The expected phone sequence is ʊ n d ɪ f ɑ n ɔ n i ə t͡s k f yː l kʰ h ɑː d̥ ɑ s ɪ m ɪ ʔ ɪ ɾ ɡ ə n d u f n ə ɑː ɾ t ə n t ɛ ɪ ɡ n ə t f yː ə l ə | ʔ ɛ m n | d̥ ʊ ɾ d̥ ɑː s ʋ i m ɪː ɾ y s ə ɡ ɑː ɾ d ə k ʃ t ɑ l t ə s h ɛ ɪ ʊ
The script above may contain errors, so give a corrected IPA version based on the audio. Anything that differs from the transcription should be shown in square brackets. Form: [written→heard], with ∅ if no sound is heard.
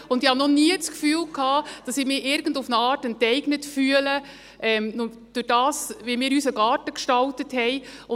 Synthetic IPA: ʊ n d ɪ [f→h] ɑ n ɔ n i ə t͡s k f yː l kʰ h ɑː d̥ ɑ s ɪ m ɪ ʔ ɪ ɾ ɡ ə n d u f n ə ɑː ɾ t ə n t ɛ ɪ ɡ n ə t f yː ə l ə | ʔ ɛ m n | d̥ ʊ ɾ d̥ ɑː s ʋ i m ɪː ɾ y s ə ɡ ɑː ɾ [d→t] ə k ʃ t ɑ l t ə [s→t] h ɛ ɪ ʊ